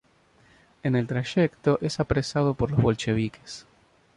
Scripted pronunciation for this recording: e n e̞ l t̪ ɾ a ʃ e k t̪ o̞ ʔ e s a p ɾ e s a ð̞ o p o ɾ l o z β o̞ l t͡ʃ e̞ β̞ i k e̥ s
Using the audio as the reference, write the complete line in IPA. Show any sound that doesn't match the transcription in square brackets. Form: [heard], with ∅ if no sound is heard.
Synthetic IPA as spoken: e n e̞ l t̪ ɾ a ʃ e k t̪ o̞ ʔ e s a p ɾ e s a ð̞ o p o ɾ l o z β o̞ l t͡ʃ e̞ β̞ i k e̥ s